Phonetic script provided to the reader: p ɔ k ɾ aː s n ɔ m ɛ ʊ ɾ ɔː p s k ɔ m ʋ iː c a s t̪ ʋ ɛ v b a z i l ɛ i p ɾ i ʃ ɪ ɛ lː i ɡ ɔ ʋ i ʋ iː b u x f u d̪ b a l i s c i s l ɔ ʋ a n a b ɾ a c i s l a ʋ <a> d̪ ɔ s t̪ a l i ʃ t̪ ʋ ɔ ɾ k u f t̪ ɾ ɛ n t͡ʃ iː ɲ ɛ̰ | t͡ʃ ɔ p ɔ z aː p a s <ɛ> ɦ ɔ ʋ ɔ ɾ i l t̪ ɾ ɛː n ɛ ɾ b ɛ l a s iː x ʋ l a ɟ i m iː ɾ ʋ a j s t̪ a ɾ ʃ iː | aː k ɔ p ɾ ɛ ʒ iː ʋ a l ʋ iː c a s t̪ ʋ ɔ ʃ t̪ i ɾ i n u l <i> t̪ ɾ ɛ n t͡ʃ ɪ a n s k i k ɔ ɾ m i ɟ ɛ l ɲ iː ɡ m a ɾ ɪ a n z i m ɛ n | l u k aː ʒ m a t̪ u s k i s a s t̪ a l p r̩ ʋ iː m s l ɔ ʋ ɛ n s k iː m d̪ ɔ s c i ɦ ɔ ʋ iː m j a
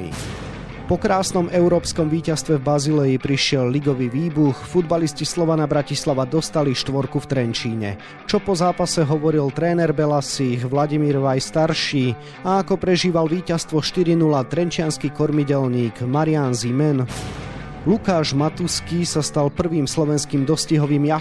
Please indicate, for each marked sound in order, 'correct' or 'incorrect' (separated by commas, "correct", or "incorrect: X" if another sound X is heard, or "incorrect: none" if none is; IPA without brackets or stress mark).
correct, correct, incorrect: a